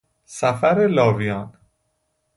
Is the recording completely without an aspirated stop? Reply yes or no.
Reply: yes